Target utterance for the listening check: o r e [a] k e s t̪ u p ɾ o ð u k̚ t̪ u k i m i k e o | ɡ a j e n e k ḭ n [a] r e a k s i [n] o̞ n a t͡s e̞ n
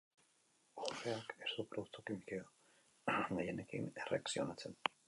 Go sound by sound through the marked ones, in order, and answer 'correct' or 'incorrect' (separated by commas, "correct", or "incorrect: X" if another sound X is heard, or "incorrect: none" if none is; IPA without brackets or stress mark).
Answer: correct, incorrect: e, incorrect: none